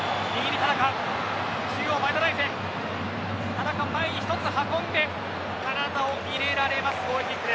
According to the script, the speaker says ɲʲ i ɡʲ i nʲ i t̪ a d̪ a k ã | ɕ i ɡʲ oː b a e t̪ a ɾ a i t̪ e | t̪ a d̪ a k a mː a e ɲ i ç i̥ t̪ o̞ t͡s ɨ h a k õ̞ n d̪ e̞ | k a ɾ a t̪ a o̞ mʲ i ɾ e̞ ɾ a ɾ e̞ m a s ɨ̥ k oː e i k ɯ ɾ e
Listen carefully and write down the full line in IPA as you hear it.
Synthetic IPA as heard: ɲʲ i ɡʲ i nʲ i t̪ a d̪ a k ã | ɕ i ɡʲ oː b a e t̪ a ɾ a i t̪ e | t̪ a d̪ a k a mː a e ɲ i ç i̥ t̪ o̞ t͡s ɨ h a k õ̞ n d̪ e̞ | k a ɾ a d̪ a o̞ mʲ i ɾ e̞ ɾ a ɾ e̞ m a s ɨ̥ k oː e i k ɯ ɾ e